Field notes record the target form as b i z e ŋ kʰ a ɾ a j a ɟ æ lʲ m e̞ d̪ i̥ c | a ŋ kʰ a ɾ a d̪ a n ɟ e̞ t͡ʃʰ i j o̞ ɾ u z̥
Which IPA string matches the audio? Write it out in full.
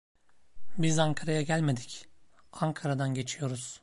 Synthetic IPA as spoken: b i z a ŋ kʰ a ɾ a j a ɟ æ lʲ m e̞ d̪ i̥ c | a ŋ kʰ a ɾ a d̪ a n ɟ e̞ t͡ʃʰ i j o̞ ɾ u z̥